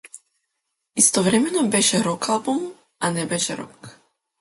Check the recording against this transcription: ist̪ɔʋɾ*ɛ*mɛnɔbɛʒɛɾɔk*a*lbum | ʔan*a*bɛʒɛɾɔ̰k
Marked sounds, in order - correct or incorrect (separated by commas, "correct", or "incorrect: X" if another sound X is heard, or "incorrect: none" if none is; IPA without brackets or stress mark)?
correct, correct, incorrect: ɛ